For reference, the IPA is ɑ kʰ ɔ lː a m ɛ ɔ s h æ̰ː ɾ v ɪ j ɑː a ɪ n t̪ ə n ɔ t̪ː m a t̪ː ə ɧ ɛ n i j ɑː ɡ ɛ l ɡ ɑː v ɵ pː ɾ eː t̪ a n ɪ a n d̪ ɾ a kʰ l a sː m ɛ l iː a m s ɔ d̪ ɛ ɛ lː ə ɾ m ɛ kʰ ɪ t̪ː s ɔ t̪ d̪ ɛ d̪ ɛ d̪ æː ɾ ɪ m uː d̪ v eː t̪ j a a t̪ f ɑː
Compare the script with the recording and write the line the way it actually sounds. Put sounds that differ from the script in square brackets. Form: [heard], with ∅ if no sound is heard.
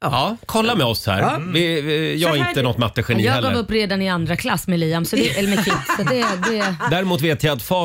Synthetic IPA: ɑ kʰ ɔ lː a m ɛ ɔ s h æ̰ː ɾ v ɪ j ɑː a ɪ n t̪ ə n ɔ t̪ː m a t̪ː ə ɧ ɛ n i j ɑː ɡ ɛ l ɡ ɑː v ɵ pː ɾ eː [d̪] a n ɪ a n d̪ ɾ a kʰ l a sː m ɛ l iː a m s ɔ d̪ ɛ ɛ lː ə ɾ m ɛ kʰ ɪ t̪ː s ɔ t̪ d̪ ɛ d̪ ɛ d̪ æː ɾ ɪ m uː [t̪] v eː t̪ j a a t̪ f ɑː